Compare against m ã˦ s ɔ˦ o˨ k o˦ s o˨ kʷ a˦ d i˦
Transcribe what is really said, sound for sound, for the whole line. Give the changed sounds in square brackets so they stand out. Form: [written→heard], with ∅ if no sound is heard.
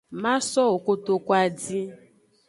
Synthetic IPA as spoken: m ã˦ s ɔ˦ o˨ k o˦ [s→t] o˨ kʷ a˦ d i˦